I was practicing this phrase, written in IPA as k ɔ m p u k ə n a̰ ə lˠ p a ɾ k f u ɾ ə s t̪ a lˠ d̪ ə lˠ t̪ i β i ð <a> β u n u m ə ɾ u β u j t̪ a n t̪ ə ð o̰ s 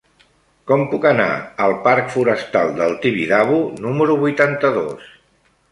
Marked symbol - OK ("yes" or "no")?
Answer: yes